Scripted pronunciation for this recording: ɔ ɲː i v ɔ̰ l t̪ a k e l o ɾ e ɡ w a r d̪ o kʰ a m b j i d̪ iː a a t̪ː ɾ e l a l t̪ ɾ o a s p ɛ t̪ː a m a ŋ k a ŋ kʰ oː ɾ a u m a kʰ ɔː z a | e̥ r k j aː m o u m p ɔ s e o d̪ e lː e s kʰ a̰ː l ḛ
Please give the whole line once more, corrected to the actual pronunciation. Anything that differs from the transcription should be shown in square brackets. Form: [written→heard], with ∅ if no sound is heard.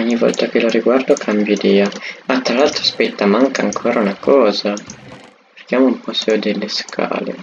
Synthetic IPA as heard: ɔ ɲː i v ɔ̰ l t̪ a k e l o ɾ [e→i] ɡ w a r d̪ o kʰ a m b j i d̪ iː a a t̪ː ɾ [e→a] l a l t̪ ɾ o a s p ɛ t̪ː a m a ŋ k a ŋ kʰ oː ɾ a u [m→n] a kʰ ɔː z a | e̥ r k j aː m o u m p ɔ s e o d̪ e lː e s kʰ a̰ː l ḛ